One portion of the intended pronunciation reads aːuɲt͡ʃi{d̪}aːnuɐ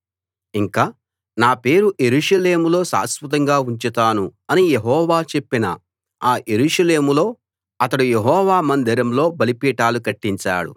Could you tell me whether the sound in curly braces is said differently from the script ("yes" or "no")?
yes